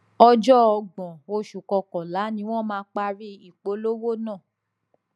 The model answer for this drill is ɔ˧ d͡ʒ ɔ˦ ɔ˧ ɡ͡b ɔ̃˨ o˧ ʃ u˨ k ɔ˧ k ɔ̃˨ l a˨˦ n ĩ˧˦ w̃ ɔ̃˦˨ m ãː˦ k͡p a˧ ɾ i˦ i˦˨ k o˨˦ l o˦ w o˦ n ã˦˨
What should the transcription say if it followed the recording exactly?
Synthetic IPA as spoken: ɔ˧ d͡ʒ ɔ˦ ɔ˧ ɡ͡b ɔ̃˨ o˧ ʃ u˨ k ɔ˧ k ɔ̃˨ l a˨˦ n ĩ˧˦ w̃ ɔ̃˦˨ m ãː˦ k͡p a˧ ɾ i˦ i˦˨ k͡p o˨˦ l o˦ w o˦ n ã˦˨